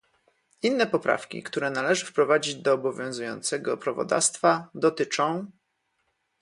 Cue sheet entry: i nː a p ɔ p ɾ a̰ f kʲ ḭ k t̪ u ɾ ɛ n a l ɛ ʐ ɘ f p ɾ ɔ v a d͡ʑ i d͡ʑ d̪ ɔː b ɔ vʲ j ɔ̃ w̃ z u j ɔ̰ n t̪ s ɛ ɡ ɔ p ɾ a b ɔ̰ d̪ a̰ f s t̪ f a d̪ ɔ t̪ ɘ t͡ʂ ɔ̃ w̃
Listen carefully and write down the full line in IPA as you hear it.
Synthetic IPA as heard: i nː ɛ p ɔ p ɾ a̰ f kʲ ḭ k t̪ u ɾ ɛ n a l ɛ ʐ ɘ f p ɾ ɔ v a d͡ʑ i d͡ʑ d̪ ɔː b ɔ vʲ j ɔ̃ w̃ z u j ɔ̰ n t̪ s ɛ ɡ ɔ p ɾ a v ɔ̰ d̪ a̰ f s t̪ f a d̪ ɔ t̪ ɘ t͡ʂ ɔ̃ w̃